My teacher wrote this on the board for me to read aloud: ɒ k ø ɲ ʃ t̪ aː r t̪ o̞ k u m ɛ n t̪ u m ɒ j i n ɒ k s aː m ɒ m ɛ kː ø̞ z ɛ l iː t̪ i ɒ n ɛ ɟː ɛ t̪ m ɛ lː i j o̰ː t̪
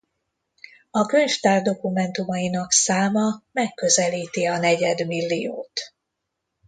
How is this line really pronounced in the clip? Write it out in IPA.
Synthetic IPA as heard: ɒ k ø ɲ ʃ t̪ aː r d̪ o̞ k u m ɛ n t̪ u m ɒ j i n ɒ k s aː m ɒ m ɛ kː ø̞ z ɛ l iː t̪ i ɒ n ɛ ɟ ɛ d̪ m i lː i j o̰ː t̪